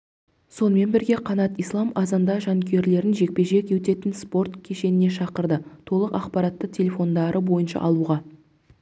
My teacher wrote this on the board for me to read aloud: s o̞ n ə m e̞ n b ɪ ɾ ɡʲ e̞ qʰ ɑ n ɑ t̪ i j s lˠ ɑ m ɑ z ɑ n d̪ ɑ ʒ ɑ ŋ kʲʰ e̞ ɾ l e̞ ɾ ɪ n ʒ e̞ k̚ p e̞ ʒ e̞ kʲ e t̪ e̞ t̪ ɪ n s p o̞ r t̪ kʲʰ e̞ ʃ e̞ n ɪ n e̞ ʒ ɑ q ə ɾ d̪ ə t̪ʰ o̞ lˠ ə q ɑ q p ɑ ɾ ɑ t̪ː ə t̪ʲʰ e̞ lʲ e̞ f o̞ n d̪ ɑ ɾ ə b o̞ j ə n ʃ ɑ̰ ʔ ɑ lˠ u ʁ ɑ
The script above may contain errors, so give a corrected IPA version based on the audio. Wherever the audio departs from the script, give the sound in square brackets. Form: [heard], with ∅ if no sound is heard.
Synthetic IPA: s o̞ n ə m e̞ n b ɪ ɾ ɡʲ e̞ qʰ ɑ n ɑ t̪ i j s lˠ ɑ m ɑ z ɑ n d̪ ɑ ʒ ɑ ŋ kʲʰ e̞ ɾ l e̞ ɾ ɪ n ʒ e̞ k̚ p e̞ ʒ e̞ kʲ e t̪ e̞ t̪ ɪ n s p o̞ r t̪ kʲʰ e̞ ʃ e̞ n ɪ n e̞ [ʃ] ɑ q ə ɾ d̪ ə t̪ʰ o̞ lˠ ə q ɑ q p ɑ ɾ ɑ t̪ː ə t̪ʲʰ e̞ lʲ e̞ f o̞ n d̪ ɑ ɾ ə b o̞ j ə n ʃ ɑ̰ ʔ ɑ lˠ u ʁ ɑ